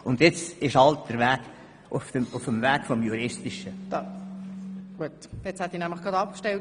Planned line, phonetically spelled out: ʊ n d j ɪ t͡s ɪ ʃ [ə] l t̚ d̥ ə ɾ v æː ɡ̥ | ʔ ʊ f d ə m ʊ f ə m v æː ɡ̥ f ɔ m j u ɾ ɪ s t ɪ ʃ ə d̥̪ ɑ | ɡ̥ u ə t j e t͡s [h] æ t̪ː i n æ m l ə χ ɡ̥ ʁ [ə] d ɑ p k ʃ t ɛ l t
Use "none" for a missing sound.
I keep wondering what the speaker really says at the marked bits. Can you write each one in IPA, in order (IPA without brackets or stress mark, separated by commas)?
ɑ, h, ɑ